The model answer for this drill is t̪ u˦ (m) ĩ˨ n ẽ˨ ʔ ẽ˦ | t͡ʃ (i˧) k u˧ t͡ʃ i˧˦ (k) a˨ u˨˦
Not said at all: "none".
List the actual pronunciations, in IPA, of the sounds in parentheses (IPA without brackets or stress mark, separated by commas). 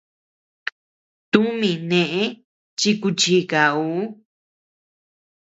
m, i˧, k